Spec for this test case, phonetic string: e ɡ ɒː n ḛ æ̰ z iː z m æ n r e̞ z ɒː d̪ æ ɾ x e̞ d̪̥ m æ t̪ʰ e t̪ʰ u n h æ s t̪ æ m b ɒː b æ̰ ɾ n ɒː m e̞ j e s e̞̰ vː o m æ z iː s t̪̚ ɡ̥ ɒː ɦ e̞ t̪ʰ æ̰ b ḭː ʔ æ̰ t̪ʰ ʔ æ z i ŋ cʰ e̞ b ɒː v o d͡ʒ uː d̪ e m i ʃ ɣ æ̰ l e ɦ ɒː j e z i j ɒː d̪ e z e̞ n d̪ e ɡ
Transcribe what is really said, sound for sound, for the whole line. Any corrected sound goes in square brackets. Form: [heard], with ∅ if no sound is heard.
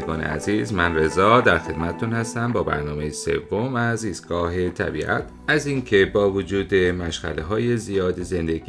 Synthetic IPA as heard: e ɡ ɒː n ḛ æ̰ z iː z m æ n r e̞ z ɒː d̪ æ ɾ x e̞ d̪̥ m æ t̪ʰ e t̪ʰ u n h æ s t̪ æ m b ɒː b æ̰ ɾ n ɒː m e̞ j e s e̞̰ vː o m æ z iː s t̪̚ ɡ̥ ɒː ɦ e̞ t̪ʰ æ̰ b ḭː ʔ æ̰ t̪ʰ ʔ æ z i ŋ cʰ e̞ b ɒː v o d͡ʒ uː d̪ e m [æ] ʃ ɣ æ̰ l e ɦ ɒː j e z i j ɒː d̪ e z e̞ n d̪ e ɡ